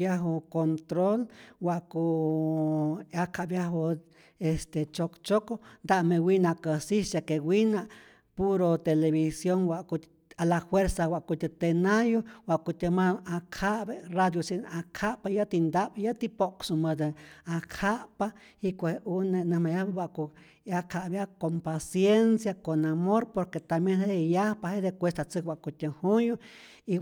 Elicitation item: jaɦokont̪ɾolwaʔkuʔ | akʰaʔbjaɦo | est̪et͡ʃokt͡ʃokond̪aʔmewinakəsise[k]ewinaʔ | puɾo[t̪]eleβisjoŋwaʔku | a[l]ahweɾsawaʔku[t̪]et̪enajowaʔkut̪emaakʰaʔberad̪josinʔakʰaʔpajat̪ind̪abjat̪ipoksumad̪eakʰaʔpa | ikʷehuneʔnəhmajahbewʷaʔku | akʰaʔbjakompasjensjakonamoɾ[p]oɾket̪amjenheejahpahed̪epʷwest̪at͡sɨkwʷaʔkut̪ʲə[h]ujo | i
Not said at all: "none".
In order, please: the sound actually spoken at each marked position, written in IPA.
k, t̪, l, t̪, p, h

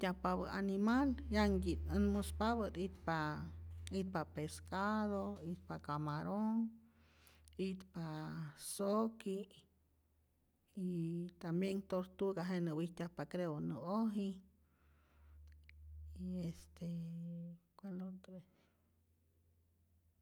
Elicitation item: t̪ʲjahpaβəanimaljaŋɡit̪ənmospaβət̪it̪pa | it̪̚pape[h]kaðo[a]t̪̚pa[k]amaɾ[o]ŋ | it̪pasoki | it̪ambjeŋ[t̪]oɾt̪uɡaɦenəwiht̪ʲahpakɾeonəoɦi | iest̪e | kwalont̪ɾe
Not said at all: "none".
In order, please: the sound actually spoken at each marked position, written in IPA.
s, i, k, o, t̪

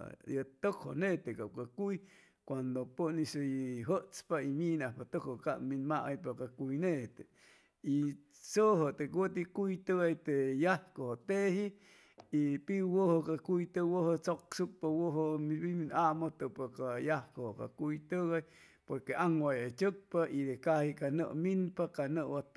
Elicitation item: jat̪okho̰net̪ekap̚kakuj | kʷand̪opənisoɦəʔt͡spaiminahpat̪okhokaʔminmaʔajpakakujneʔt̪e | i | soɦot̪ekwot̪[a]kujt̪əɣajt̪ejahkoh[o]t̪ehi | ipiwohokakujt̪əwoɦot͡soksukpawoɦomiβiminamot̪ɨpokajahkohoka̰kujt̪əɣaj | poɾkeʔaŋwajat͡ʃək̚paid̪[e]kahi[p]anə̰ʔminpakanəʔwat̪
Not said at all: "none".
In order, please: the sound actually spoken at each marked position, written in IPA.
i, o, e, k

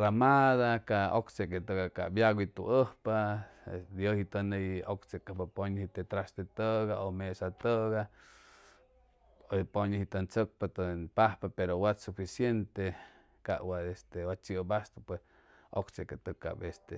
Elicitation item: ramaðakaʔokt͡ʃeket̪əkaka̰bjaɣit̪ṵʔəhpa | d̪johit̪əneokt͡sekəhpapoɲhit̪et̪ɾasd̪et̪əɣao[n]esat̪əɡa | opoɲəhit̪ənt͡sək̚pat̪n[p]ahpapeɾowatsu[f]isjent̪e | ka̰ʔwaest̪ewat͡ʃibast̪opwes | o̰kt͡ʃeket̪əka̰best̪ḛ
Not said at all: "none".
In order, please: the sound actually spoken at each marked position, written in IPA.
m, p, f

